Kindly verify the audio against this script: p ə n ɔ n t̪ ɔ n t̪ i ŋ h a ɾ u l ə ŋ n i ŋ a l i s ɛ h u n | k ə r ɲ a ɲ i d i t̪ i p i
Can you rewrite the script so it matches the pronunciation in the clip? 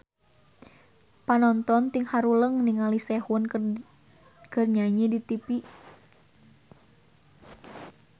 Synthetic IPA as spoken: p a n ɔ n t̪ ɔ n t̪ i ŋ h a ɾ u l ə ŋ n i ŋ a l i s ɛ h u n | k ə r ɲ a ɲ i d i t̪ i p i